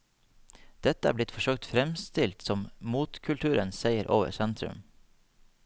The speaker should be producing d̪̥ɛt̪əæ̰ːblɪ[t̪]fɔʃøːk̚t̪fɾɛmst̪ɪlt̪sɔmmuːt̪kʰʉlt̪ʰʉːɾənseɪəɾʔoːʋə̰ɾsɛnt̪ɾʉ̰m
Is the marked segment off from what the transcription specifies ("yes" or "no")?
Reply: no